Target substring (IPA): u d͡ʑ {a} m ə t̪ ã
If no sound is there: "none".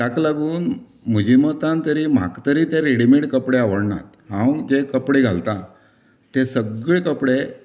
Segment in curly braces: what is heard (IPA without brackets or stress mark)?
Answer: i